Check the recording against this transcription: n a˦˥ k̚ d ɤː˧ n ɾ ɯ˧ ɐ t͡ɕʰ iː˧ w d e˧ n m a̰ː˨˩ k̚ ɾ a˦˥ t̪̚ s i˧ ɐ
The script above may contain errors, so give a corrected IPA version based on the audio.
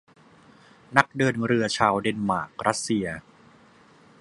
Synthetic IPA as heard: n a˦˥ k̚ d ɤː˧ n ɾ ɯ˧ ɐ t͡ɕʰ aː˧ w d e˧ n m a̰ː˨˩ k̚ ɾ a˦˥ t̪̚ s i˧ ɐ